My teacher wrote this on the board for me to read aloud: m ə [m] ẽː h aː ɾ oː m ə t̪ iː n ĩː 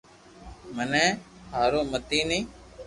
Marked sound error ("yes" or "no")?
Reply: yes